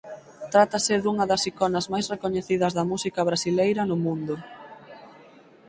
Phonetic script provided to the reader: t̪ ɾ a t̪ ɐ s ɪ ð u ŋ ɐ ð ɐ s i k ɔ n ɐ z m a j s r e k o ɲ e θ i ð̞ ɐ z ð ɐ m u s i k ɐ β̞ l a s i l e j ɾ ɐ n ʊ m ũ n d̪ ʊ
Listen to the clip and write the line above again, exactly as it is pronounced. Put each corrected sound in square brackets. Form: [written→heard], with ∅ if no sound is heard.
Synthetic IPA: t̪ ɾ a t̪ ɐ s ɪ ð u ŋ ɐ ð ɐ s i k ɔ n ɐ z m a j s r e k o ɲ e θ i ð̞ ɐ z ð ɐ m u s i k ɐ β̞ [l→ɾ] a s i l e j ɾ ɐ n ʊ m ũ n d̪ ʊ